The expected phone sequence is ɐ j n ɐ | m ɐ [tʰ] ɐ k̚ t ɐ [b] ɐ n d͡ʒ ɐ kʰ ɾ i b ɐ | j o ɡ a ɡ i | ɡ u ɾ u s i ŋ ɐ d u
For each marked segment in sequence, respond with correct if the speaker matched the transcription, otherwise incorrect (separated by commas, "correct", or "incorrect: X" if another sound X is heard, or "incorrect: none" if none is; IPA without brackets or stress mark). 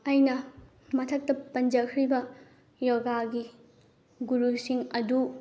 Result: correct, incorrect: p